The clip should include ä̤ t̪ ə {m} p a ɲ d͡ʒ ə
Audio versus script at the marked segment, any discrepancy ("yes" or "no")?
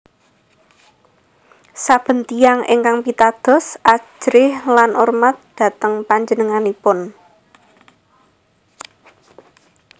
yes